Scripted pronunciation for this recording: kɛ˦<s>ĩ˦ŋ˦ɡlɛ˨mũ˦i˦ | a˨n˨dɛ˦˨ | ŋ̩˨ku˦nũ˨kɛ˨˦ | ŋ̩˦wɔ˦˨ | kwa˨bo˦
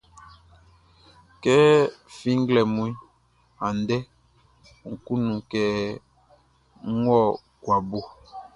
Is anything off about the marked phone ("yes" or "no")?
yes